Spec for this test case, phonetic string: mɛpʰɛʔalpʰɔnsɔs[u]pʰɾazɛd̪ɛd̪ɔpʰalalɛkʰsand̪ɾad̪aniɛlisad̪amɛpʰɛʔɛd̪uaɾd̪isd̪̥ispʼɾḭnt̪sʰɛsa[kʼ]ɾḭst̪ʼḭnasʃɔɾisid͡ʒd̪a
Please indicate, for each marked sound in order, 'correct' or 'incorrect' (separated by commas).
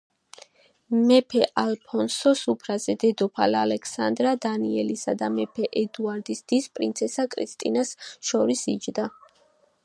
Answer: correct, correct